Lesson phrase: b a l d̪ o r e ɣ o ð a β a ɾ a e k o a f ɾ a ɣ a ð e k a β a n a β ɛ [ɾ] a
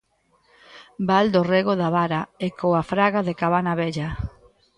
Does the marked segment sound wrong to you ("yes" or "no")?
yes